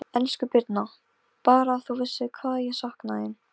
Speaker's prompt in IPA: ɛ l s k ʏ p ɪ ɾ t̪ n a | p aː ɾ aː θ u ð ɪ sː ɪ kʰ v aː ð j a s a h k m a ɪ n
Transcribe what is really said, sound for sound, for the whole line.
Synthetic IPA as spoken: ɛ l s k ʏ p ɪ ɾ t̪ n a | p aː ɾ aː θ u v ɪ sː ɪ kʰ v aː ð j ɛ s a h k n a ɪ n

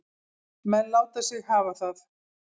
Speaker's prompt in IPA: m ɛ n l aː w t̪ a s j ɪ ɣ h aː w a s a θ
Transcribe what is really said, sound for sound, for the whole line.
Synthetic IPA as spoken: m ɛ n l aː w t̪ a s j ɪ ɣ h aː v a θ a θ

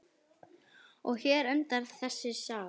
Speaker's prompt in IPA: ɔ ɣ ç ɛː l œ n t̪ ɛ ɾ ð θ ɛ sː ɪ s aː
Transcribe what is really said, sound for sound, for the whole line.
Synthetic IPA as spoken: ɔ ɣ ç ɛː ɾ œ n t̪ a ɾ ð θ ɛ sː ɪ s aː

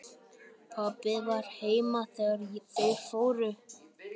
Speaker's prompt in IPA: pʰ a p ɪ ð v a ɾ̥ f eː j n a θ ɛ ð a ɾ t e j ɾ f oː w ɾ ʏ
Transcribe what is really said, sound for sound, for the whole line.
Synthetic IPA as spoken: pʰ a p ɪ ð v a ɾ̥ h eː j m a θ ɛ ɣ a ɾ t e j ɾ f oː w ɾ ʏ

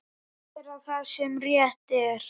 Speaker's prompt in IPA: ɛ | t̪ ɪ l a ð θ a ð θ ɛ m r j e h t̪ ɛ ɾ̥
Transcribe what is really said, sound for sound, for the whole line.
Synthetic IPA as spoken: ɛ | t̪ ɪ ɾ a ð θ a ð s ɛ m r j ɛ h t̪ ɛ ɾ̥

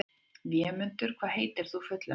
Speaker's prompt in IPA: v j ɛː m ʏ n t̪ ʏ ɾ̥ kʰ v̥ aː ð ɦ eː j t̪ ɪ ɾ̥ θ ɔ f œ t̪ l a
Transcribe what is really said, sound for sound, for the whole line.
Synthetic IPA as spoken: v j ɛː m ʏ n t̪ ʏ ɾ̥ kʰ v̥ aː ð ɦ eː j t̪ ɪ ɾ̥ θ u f œ t̪ l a

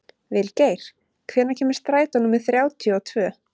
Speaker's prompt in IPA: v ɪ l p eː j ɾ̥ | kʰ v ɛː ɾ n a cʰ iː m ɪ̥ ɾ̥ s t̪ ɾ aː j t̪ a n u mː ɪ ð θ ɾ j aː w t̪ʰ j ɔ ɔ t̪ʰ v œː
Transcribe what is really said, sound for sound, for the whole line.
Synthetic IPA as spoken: v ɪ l c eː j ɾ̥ | kʰ v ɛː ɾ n a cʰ ɛː m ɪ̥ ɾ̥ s t̪ ɾ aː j t̪ a n u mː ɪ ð θ ɾ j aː w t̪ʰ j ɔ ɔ t̪ʰ v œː

